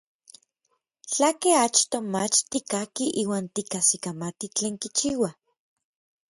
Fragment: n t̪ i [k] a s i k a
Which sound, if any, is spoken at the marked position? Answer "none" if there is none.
k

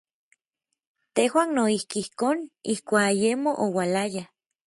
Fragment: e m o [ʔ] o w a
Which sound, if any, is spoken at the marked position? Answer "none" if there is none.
ʔ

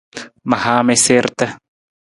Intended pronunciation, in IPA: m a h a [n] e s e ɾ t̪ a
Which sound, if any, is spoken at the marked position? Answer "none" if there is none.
m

